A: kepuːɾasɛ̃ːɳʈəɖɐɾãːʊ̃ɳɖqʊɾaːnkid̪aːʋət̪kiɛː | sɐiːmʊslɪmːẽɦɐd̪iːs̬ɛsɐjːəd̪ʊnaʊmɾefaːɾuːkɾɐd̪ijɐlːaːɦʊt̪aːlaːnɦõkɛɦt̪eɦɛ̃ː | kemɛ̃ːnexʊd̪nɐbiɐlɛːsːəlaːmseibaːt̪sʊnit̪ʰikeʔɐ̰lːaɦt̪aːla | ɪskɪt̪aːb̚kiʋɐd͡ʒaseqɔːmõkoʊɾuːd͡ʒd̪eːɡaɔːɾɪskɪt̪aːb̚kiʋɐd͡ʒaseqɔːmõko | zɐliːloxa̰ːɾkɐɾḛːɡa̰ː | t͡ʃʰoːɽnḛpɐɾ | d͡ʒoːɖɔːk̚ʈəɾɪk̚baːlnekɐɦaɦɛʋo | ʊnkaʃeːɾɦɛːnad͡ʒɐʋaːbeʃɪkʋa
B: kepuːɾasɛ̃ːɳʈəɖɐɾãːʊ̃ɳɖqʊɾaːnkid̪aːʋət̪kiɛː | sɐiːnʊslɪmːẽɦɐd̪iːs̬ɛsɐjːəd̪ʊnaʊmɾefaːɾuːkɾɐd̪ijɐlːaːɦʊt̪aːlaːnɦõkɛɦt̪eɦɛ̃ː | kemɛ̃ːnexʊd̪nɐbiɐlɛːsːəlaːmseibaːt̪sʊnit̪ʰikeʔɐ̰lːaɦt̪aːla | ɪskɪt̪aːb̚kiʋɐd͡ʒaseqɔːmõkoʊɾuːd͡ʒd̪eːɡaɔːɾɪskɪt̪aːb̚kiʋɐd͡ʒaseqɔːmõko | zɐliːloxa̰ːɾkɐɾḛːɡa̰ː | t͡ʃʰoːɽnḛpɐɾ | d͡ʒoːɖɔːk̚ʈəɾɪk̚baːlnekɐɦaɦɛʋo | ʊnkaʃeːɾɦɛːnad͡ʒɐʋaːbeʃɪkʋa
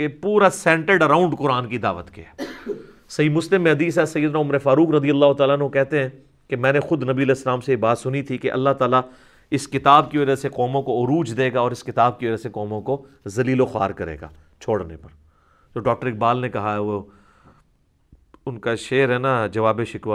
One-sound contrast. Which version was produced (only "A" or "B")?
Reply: A